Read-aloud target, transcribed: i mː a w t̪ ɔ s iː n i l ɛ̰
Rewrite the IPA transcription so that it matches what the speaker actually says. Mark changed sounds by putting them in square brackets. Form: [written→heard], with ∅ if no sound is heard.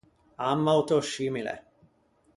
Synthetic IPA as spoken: [i→a] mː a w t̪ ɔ [s→ʃ] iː [n→m] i l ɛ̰

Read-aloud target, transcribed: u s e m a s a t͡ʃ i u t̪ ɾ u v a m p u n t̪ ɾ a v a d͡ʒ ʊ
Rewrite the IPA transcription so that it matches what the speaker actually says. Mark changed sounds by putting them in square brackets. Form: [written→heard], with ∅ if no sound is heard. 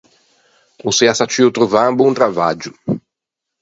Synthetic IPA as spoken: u s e [m→∅] a s a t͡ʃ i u t̪ ɾ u v a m [p→b] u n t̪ ɾ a v a d͡ʒ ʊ

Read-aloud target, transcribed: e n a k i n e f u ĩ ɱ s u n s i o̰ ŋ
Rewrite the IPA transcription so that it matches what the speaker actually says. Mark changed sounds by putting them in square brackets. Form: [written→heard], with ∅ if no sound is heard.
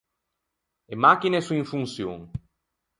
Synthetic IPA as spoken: e [n→m] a k i n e [f→s] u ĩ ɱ [s→f] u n s [i→j] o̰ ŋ

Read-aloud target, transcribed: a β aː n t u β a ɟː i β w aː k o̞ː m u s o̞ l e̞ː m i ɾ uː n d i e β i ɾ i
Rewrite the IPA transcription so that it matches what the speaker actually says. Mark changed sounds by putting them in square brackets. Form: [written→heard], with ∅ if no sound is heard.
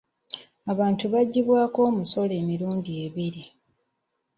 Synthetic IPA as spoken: a β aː n t u β a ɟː i β w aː k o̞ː m u s o̞ l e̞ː m i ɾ uː n d i e β i ɾ i

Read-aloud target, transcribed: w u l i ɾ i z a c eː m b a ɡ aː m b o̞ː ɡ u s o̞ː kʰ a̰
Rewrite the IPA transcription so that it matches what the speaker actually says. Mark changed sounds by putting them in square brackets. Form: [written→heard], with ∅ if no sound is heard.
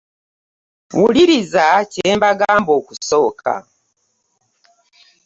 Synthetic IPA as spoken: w u l i ɾ i z a c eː m b a ɡ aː m b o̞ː [ɡ→k] u s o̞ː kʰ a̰

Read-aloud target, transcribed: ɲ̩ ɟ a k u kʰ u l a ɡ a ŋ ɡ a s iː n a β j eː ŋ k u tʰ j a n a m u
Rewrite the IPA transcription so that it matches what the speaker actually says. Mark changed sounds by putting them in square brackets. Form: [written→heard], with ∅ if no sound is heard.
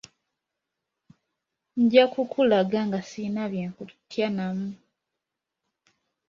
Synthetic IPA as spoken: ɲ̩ ɟ a k u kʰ u l a ɡ a ŋ ɡ a s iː n a β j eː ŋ k u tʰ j a n a m u

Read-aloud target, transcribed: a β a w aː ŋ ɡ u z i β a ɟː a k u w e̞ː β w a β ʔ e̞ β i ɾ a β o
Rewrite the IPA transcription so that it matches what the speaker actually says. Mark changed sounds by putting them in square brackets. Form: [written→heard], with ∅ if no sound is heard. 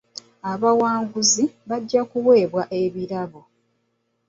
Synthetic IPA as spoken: a β a w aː ŋ ɡ u z i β a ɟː a k u w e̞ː β w a [β→∅] ʔ e̞ β i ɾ a β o

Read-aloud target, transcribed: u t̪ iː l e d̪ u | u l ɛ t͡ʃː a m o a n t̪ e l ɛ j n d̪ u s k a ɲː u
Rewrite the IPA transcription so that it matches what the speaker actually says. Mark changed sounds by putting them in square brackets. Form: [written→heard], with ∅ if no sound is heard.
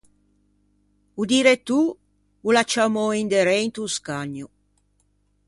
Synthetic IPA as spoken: u [t̪→d̪] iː [l→ɾ] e [d̪→t̪] u | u l [ɛ→a] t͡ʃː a m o [a→i] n [t̪→d̪] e [l→ɾ] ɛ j n [d̪→t̪] u s k a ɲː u

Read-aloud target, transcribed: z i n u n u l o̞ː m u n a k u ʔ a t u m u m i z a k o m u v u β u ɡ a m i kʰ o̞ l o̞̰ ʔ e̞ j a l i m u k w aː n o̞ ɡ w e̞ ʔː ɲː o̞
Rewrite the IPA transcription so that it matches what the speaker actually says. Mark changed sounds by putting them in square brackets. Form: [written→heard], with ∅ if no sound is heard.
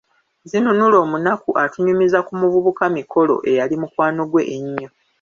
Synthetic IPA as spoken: z i n u n u l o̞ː m u n a k u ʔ a t u [m→ɲ] u m i z a k [o→u] m u v u β u [ɡ→k] a m i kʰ o̞ l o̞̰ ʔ e̞ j a l i m u k w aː n o̞ ɡ w e̞ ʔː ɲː o̞

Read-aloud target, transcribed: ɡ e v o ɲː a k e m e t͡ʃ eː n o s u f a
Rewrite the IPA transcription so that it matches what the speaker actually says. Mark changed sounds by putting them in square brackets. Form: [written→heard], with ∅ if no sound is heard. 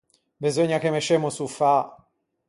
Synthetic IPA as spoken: [ɡ→b] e [v→z] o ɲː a k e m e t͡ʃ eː [n→m] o s u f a

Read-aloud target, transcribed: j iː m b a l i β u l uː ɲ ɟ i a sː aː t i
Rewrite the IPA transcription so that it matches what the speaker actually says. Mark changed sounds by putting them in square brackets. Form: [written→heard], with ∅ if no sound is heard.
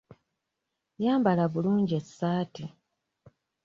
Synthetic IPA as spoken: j [iː→aː] m b a l [i→a] β u l uː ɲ ɟ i [a→e] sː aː t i

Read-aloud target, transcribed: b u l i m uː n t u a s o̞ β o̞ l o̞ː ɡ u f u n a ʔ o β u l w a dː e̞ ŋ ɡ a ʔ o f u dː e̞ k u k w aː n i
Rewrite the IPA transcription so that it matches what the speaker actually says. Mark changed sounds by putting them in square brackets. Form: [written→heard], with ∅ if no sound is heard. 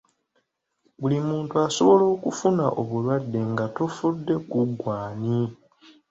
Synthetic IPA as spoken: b u l i m uː n t u a s o̞ β o̞ l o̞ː [ɡ→k] u f u n a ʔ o β u l w a dː e̞ ŋ ɡ a [ʔ→t] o f u dː e̞ k u [k→ɡ] w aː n i

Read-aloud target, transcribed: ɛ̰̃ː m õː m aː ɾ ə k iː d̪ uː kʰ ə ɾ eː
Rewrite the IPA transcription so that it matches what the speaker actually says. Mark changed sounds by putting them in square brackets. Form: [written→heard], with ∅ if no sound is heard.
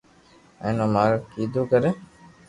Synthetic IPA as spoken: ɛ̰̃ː [m→n] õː m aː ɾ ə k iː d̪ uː [kʰ→k] ə ɾ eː

